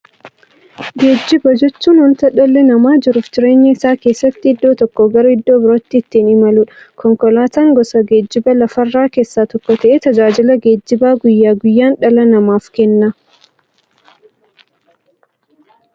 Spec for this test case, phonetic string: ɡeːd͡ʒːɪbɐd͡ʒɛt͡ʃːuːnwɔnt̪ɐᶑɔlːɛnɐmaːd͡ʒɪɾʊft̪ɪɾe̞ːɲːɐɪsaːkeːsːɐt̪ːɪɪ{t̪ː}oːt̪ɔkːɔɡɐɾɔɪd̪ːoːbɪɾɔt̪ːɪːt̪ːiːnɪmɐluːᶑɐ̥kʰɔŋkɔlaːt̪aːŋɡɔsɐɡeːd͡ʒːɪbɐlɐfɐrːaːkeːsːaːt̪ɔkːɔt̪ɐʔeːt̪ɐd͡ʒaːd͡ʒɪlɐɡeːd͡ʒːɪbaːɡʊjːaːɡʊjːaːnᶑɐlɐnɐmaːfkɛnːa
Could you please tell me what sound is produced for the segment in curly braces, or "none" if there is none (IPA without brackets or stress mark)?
d̪ː